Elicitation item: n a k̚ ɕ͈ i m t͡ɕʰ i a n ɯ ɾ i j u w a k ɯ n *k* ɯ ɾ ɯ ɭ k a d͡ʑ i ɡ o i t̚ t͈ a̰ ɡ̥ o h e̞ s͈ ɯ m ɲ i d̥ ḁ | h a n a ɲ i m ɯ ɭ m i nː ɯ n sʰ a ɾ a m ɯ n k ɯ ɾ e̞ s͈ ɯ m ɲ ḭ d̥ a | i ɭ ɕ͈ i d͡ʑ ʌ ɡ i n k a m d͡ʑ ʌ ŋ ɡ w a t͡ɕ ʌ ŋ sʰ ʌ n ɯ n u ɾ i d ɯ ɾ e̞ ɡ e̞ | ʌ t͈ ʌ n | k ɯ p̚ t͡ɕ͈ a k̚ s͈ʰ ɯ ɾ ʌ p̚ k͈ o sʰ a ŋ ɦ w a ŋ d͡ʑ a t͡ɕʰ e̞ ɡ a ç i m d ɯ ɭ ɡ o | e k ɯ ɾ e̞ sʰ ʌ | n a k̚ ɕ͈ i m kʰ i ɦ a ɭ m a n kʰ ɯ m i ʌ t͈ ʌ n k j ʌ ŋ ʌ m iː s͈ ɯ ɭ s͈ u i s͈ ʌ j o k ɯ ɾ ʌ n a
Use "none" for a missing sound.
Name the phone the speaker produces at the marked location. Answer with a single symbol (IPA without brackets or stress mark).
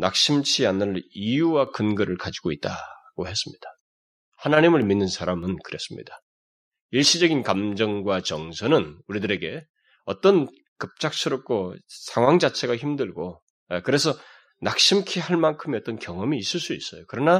ɡ